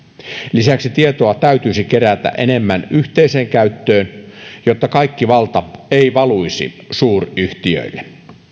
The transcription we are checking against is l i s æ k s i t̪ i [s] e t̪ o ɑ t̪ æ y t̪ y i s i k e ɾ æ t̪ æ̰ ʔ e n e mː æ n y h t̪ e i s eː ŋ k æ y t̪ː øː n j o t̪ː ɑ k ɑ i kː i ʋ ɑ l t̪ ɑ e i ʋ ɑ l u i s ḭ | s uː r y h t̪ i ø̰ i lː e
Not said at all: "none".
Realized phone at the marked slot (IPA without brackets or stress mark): none